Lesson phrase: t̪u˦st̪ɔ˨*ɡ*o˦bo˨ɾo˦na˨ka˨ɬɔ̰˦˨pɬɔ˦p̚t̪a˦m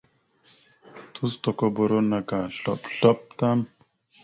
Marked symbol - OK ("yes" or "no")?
no